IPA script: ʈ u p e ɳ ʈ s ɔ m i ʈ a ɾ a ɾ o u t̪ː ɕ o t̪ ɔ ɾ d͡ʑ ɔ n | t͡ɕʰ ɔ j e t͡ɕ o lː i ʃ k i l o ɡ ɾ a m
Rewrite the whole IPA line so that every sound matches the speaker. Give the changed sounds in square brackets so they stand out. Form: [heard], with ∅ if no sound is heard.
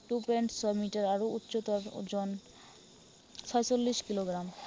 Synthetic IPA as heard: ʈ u p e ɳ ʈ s ɔ m i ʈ a ɾ a ɾ o u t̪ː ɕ o t̪ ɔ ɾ d͡ʑ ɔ n | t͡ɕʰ ɔ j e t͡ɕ o lː i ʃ k i l o ɡ ɾ a m